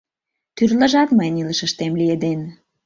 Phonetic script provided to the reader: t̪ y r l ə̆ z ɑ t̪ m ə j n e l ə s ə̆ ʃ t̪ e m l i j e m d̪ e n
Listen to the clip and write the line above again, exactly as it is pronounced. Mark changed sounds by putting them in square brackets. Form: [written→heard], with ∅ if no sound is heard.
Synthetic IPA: t̪ y r l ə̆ [z→ʒ] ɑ t̪ m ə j n [e→i] l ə [s→ʃ] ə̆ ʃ t̪ e m l i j e [m→∅] d̪ e n